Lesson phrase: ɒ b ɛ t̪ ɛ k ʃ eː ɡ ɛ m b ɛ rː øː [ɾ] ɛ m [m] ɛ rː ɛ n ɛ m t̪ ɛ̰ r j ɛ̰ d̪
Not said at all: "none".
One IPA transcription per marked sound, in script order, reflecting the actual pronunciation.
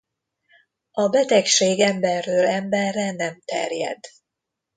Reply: l, b

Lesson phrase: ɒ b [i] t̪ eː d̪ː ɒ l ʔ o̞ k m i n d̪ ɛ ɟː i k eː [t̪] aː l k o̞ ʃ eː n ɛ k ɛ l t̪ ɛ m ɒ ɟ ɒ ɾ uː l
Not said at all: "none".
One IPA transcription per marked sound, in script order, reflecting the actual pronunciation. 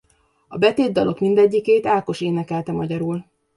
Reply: ɛ, t̪

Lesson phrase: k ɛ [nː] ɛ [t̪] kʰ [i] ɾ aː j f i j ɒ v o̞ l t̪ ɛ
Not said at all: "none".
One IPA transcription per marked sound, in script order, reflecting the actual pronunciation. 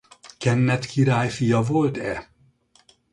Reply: nː, t̪, i

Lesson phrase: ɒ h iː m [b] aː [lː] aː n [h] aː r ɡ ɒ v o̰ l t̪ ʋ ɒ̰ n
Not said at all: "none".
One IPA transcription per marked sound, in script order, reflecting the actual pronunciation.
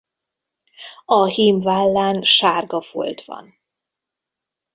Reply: v, lː, ʃ

